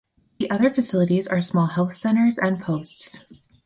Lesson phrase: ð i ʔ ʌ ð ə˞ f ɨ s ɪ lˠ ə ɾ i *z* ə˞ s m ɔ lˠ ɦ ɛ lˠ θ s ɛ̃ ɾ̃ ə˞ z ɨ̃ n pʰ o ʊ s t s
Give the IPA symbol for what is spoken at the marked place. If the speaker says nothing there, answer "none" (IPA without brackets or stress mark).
z